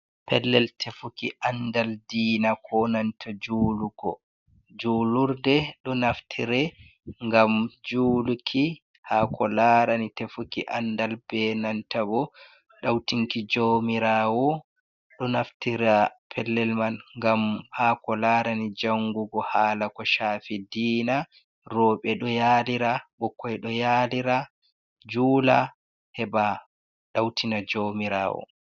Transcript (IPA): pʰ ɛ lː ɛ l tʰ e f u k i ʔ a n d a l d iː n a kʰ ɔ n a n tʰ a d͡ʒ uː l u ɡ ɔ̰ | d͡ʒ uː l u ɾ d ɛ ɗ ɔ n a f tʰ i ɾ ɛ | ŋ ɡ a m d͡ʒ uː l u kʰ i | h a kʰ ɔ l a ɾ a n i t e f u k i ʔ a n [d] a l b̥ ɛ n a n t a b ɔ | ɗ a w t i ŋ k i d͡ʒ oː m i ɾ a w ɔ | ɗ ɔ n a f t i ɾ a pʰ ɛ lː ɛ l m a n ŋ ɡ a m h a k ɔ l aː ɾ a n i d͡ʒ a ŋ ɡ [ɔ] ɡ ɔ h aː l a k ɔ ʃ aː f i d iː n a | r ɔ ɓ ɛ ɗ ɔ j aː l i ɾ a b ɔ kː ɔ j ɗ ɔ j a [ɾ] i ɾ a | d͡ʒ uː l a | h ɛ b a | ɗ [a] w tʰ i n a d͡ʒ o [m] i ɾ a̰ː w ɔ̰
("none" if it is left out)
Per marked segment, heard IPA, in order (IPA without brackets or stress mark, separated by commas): d, u, l, a, m